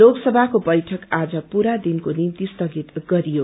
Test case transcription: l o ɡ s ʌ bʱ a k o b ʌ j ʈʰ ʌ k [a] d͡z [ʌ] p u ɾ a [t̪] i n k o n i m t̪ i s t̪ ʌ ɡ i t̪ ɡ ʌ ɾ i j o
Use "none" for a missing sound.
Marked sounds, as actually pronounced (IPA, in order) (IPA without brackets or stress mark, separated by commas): a, ʌ, d̪